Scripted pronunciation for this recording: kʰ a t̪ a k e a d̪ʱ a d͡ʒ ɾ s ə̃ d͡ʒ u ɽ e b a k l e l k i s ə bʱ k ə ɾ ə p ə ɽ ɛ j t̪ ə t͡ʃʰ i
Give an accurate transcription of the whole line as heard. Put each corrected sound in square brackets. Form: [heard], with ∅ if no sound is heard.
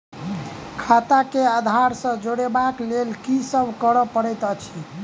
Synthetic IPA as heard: kʰ a t̪ a k e a d̪ʱ a [∅] ɾ s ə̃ d͡ʒ [o] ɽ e b a k l e l k i s ə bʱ k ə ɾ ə p ə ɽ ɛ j t̪ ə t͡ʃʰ i